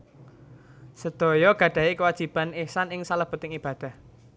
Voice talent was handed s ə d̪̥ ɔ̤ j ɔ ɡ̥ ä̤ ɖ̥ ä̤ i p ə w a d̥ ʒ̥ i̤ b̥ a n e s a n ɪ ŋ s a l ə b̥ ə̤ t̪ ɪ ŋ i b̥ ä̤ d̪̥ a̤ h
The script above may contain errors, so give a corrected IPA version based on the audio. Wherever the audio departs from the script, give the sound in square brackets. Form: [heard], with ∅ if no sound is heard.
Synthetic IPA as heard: s ə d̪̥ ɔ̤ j ɔ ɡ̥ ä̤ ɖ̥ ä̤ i [k] ə w a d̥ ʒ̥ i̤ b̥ a n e s a n ɪ ŋ s a l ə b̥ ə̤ t̪ ɪ ŋ i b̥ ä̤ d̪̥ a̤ h